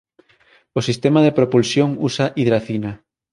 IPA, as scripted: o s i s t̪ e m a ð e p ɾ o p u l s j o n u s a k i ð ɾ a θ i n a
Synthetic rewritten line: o s i s t̪ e m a ð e p ɾ o p u l s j o ŋ u s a ʔ i ð ɾ a θ i n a

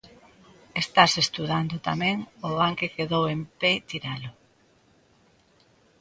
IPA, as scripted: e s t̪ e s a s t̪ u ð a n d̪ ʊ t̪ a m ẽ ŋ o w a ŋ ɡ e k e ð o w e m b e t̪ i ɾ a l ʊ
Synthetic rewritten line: e s t̪ a s e s t̪ u ð a n d̪ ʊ t̪ a m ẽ ŋ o β a ŋ k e k e ð o w e m p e t̪ i ɾ a l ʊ

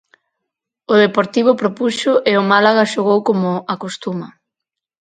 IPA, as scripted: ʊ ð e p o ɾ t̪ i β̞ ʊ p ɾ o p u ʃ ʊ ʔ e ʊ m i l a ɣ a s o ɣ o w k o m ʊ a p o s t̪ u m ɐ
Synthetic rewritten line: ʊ ð e p o ɾ t̪ i β̞ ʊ p ɾ o p u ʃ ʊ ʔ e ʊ m a l a ɣ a ʃ o ɣ o w k o m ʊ a k o s t̪ u m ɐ

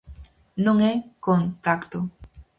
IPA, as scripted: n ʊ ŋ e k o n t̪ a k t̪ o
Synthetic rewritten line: n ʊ ŋ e k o n t̪ a k t̪ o

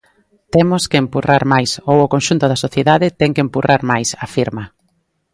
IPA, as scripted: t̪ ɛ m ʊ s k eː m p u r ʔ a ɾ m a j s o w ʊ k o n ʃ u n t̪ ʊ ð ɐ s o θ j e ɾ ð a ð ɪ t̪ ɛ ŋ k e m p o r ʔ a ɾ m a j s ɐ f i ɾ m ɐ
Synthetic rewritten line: t̪ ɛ m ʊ s k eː m p u r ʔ a ɾ m a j s o w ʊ k o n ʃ u n t̪ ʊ ð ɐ s o θ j e ð a ð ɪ t̪ ɛ ŋ k e m p u r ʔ a ɾ m a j s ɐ f i ɾ m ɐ

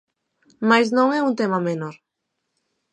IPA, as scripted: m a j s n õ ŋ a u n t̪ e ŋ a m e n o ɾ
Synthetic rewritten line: m a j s n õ ŋ ɛ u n t̪ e m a m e n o ɾ

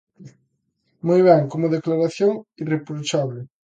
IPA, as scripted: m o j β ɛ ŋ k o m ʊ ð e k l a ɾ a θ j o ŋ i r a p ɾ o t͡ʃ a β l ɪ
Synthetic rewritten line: m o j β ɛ ŋ k o m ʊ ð e k l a ɾ a θ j o ŋ i r e p ɾ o t͡ʃ a β l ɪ

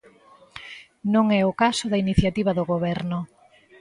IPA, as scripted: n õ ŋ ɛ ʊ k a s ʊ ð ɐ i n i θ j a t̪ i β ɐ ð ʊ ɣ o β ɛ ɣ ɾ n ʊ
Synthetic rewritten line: n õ ŋ ɛ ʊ k a s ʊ ð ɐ i n i θ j a t̪ i β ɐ ð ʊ ɣ o β ɛ ɾ n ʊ

